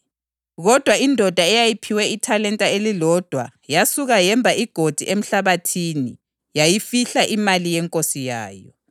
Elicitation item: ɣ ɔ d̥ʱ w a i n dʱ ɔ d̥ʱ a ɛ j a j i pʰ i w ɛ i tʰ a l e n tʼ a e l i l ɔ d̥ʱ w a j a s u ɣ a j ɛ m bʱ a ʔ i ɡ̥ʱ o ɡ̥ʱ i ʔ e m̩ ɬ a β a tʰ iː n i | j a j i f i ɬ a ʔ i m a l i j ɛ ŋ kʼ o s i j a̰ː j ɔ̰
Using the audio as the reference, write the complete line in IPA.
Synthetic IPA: ɣ ɔ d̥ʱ w a i n dʱ ɔ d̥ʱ a ɛ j a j i pʰ i w ɛ i tʰ a l ɛ n tʼ a e l i l ɔ d̥ʱ w a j a s u ɣ a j ɛ m bʱ a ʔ i ɡ̥ʱ o d̥ʱ i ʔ e m̩ ɬ a β a tʰ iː n i | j a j i f i ɬ a ʔ i m a l i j ɛ ŋ kʼ o s i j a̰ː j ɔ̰